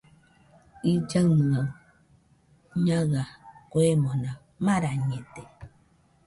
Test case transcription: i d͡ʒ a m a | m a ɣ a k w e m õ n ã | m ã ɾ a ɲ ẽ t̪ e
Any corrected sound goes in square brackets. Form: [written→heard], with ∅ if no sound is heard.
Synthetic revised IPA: i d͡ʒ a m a | [m→ɲ] a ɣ a k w e m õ n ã | m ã ɾ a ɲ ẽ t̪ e